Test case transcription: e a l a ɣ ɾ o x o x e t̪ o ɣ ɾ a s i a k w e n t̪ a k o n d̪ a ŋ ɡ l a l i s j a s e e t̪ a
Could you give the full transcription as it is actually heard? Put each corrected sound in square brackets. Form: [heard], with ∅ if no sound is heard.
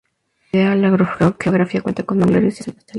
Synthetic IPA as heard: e a l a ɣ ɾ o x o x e [∅] o ɣ ɾ a [f] i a k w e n t̪ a k o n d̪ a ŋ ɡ l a [ɾ] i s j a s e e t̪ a